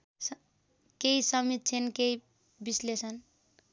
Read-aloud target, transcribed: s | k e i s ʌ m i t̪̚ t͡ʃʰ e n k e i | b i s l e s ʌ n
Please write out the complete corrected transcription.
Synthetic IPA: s | k e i s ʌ m i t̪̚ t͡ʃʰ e n k e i | b i s l e s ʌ n